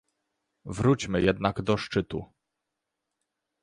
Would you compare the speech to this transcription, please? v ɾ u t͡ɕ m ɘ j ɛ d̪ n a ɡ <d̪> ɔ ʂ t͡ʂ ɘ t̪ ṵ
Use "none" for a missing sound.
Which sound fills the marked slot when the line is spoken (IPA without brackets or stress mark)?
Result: d̪